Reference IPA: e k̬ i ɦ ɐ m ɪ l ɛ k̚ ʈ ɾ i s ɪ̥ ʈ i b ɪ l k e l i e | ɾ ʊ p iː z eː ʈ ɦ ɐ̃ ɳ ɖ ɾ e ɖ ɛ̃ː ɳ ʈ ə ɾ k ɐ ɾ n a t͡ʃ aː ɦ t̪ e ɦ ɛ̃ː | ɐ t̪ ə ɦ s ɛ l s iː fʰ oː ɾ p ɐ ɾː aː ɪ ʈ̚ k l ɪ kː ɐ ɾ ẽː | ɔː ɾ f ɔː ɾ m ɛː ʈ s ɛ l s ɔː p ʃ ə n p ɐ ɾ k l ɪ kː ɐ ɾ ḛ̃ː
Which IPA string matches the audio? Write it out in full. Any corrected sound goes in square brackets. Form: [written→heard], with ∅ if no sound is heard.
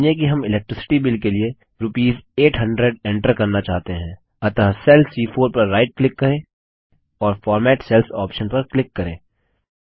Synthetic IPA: e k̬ i ɦ ɐ m ɪ l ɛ k̚ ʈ ɾ [i→ɪ] s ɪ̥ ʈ i b ɪ l k e l i e | ɾ ʊ p iː z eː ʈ ɦ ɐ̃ ɳ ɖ ɾ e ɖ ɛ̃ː ɳ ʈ ə ɾ k ɐ ɾ n a t͡ʃ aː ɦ t̪ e ɦ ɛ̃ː | ɐ t̪ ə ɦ s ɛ l s iː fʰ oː ɾ p ɐ ɾː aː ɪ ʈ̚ k l ɪ kː ɐ ɾ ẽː | ɔː ɾ f ɔː ɾ m ɛː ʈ s ɛ l s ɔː p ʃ ə n p ɐ ɾ k l ɪ kː ɐ ɾ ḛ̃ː

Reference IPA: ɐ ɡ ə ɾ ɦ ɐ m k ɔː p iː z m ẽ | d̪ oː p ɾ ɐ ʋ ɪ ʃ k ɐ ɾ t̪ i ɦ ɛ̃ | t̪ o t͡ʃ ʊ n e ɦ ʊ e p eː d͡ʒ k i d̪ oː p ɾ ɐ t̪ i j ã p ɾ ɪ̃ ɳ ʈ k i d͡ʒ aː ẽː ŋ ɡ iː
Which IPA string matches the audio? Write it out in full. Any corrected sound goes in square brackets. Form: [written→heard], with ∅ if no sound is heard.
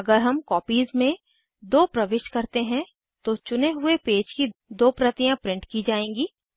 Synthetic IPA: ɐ ɡ ə ɾ ɦ ɐ m k ɔː p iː z m ẽ | d̪ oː p ɾ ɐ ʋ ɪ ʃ k ɐ ɾ t̪ [i→e] ɦ ɛ̃ | t̪ o t͡ʃ ʊ n e ɦ ʊ e p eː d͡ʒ k i d̪ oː p ɾ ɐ t̪ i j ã p ɾ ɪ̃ ɳ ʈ k i d͡ʒ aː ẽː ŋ ɡ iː

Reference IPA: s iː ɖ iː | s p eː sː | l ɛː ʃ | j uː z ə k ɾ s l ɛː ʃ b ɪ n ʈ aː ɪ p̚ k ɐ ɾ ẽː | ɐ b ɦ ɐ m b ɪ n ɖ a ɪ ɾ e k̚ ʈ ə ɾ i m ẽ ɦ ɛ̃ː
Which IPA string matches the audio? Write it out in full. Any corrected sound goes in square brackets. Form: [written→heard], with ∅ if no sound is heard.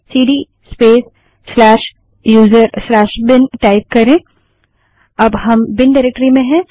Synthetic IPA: s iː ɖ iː | s p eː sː | l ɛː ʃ | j uː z ə [k→∅] ɾ s l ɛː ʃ b ɪ n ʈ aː ɪ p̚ k ɐ ɾ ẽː | ɐ b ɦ ɐ m b ɪ n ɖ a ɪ ɾ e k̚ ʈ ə ɾ i m ẽ ɦ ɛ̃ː

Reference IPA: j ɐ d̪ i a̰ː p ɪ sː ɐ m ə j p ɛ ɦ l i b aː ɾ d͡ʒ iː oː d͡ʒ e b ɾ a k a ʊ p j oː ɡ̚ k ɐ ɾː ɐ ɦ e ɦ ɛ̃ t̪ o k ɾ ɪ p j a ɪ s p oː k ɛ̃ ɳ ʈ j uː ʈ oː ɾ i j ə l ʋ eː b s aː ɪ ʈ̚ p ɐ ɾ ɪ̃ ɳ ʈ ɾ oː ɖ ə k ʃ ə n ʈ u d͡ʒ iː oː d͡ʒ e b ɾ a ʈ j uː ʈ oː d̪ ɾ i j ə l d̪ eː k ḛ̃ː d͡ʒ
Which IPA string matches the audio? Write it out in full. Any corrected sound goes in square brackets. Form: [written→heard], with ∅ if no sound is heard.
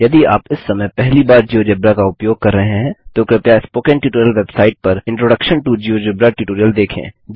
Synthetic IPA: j ɐ d̪ i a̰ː p ɪ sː ɐ m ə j p ɛ ɦ l i b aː ɾ d͡ʒ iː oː d͡ʒ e b ɾ a k a ʊ p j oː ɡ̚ k ɐ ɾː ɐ ɦ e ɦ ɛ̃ t̪ o k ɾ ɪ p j a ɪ s p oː k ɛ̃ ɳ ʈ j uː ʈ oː ɾ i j ə l ʋ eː b s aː ɪ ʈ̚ p ɐ ɾ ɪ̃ ɳ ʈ ɾ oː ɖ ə k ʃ ə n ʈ u d͡ʒ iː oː d͡ʒ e b ɾ a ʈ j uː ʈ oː [d̪→∅] ɾ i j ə l d̪ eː [k→kʰ] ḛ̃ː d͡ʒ

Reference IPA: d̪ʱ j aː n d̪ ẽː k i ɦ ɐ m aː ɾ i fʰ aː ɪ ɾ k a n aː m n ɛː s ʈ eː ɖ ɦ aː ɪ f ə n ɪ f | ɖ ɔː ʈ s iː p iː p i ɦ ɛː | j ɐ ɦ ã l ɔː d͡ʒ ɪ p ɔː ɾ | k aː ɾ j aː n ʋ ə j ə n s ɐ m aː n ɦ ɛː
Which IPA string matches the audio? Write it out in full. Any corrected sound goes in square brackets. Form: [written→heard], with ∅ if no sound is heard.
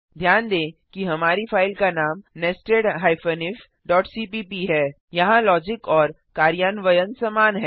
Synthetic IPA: d̪ʱ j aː n d̪ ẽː k i ɦ ɐ m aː ɾ i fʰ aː ɪ [ɾ→l] k a n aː m n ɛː s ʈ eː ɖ ɦ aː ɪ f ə n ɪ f | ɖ ɔː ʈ s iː p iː p i ɦ ɛː | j ɐ ɦ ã l ɔː d͡ʒ ɪ [p→k] ɔː ɾ | k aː ɾ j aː n ʋ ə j ə n s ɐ m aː n ɦ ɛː

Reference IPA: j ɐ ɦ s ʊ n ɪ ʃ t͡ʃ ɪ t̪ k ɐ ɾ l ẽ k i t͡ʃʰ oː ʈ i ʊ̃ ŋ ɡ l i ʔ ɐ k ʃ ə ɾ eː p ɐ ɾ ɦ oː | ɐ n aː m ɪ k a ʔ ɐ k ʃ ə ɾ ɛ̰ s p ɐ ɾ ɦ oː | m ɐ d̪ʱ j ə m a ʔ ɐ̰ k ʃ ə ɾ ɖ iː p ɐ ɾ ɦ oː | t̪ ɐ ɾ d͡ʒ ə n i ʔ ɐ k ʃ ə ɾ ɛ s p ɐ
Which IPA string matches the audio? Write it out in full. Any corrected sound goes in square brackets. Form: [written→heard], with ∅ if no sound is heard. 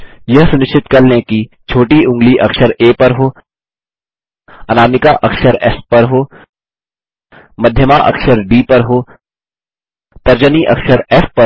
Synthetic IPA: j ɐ ɦ s ʊ n ɪ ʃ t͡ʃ ɪ t̪ k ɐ ɾ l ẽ k i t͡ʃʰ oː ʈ i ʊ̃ ŋ ɡ l i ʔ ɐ k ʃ ə ɾ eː p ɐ ɾ ɦ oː | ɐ n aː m ɪ k a ʔ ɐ k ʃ ə ɾ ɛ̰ s p ɐ ɾ ɦ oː | m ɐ d̪ʱ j ə m a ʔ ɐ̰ k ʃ ə ɾ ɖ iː p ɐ ɾ ɦ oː | t̪ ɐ ɾ d͡ʒ ə n i ʔ ɐ k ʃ ə ɾ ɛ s p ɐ

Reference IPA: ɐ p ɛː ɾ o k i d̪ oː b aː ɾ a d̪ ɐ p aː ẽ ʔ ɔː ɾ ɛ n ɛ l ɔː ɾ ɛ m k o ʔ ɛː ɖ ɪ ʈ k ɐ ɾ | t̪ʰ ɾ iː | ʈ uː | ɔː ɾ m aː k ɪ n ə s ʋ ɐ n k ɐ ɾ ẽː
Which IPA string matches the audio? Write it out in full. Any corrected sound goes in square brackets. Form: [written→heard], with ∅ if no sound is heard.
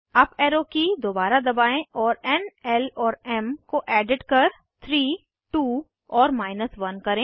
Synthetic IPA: ɐ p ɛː ɾ o k i d̪ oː b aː ɾ a d̪ ɐ [p→b] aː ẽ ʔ ɔː ɾ ɛ n ɛ l ɔː ɾ ɛ m k o ʔ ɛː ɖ ɪ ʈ k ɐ ɾ | t̪ʰ ɾ iː | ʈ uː | ɔː ɾ m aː [k→∅] ɪ n ə s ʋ ɐ n k ɐ ɾ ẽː

